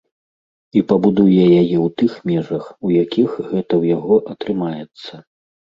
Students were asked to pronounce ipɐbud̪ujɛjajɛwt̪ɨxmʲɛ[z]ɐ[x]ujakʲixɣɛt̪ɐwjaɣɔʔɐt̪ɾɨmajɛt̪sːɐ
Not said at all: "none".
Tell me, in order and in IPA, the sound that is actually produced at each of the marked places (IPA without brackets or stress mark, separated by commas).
ʐ, x